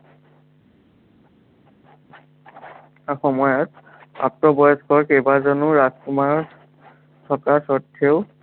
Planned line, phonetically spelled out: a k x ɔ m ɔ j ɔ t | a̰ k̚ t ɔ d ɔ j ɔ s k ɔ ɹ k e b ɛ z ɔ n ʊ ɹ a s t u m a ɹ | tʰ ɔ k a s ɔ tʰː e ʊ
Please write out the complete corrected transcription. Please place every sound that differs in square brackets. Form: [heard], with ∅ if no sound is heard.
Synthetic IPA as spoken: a [∅] x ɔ m ɔ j ɔ t | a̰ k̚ t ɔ [b] ɔ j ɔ s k ɔ ɹ k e b [a] z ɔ n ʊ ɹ a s [k] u m a ɹ | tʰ ɔ k a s ɔ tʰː e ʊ